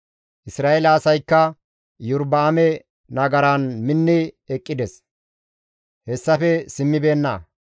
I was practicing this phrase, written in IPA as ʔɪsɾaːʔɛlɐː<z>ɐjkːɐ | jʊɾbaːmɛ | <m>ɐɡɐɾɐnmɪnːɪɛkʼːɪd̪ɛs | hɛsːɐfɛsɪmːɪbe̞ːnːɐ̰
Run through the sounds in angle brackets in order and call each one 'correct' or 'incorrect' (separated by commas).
incorrect, incorrect